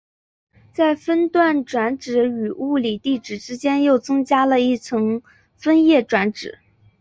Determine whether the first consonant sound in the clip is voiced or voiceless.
voiceless